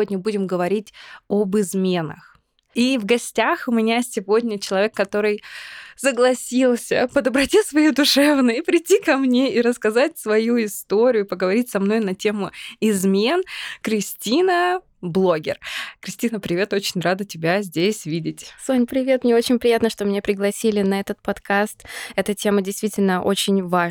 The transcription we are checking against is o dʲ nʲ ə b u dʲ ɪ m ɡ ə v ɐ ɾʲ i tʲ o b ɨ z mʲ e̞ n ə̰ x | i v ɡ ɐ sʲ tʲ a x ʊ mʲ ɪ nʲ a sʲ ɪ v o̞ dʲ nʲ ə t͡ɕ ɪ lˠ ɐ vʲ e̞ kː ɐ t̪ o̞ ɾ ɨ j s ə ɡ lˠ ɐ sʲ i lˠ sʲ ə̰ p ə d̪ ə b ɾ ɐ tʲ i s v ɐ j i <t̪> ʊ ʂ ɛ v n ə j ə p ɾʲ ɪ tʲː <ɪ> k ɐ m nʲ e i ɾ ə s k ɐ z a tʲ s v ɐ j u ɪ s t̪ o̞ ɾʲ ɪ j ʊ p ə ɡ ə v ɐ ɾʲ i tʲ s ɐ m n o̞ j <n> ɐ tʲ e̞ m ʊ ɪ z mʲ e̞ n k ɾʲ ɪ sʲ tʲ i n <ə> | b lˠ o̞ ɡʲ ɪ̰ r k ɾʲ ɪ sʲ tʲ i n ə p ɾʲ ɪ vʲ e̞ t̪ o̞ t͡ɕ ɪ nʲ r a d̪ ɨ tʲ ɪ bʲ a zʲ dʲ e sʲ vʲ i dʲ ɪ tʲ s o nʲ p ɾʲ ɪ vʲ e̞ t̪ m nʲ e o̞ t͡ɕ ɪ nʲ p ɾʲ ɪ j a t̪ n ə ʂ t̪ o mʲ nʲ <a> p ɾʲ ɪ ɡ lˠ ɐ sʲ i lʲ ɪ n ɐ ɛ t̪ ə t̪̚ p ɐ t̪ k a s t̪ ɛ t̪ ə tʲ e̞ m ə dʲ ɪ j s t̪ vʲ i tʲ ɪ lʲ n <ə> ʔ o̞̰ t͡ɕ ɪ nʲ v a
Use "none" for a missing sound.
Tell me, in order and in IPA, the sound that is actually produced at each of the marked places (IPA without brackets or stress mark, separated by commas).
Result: d̪, i, n, ə, e, ə